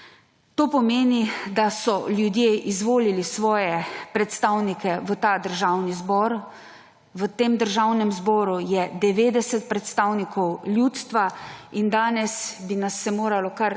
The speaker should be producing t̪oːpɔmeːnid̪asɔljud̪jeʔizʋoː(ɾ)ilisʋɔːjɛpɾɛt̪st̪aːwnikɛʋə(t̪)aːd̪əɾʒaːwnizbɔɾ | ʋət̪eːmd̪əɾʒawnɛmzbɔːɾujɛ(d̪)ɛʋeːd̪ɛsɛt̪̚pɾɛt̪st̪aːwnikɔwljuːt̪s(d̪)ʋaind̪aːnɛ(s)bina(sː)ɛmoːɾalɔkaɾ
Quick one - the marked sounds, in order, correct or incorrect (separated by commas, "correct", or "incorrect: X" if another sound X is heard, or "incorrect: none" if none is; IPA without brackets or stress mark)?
incorrect: l, correct, correct, incorrect: t̪, correct, correct